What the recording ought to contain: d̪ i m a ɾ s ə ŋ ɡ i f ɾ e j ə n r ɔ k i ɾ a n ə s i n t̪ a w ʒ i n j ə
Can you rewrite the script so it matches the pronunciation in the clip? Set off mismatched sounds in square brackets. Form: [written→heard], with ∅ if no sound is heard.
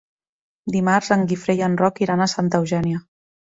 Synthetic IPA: d̪ i m a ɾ [s→z] ə ŋ ɡ i f ɾ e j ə n r ɔ k i ɾ a n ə s [i→a] n t̪ [a→ə] w ʒ [i→ɛ] n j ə

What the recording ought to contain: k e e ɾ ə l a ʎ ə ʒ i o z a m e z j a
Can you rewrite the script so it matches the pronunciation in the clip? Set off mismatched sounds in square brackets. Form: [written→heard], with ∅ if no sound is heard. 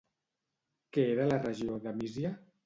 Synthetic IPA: k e e ɾ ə l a [ʎ→r] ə ʒ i o [z→ð] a m [e→i] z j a

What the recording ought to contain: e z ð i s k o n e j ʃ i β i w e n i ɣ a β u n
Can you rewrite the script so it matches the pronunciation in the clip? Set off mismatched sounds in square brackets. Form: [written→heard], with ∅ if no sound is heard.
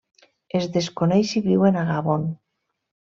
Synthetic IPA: e z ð [i→e] s k o n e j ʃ i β i w e n [i→a] ɣ a β [u→o] n

